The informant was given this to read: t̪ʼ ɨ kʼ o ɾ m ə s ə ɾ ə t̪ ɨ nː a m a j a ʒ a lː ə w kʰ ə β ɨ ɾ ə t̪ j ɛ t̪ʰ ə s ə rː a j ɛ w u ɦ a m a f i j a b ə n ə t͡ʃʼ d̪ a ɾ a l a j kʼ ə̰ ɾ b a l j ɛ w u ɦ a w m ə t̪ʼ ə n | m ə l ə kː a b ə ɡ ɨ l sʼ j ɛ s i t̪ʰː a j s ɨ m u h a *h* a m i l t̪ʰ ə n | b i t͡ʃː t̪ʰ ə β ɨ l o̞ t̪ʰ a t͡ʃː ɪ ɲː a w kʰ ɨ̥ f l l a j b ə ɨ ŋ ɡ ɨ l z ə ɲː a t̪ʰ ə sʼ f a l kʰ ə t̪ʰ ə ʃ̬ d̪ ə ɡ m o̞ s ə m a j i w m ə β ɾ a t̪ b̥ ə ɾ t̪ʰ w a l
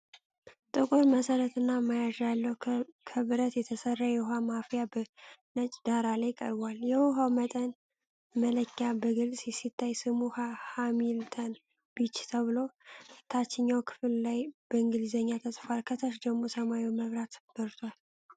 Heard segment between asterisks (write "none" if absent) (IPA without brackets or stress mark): h